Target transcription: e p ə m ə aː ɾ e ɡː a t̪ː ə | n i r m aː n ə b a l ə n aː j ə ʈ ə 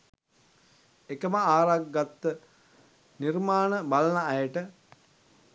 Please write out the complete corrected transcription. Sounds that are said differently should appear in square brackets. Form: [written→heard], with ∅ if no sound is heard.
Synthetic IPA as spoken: e [p→k] ə m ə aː ɾ [e→a] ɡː a t̪ː ə | n i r m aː n ə b a l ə n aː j ə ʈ ə